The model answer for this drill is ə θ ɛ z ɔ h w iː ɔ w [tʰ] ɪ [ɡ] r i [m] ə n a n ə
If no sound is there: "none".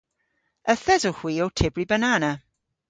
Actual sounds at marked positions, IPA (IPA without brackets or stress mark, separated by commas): tʰ, b, b